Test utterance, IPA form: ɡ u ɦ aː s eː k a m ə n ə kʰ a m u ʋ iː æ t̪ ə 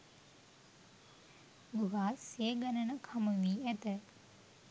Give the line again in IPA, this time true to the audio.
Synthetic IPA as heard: ɡ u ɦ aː s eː ɡ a n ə n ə kʰ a m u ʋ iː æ t̪ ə